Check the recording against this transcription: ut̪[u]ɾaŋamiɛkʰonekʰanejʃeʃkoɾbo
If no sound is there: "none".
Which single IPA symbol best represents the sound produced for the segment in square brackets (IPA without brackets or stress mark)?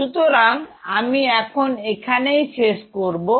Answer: o